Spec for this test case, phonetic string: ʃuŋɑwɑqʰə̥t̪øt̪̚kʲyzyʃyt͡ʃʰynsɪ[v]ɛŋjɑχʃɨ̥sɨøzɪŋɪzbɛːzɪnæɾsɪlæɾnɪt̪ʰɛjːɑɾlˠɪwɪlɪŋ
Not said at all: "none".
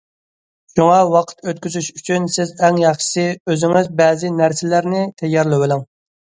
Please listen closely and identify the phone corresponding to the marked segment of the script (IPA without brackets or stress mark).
z